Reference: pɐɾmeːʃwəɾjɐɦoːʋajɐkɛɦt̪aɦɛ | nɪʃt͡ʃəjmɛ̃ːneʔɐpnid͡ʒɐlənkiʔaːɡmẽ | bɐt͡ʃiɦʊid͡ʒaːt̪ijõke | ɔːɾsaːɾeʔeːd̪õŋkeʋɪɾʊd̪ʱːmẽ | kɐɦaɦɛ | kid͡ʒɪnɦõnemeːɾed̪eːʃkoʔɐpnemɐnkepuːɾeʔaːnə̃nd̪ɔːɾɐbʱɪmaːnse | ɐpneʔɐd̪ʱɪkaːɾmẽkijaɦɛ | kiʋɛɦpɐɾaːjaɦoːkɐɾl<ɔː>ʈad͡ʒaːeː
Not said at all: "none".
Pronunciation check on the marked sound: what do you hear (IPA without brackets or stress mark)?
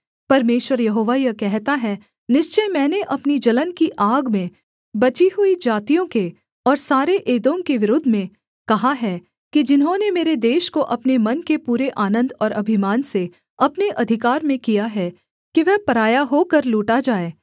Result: uː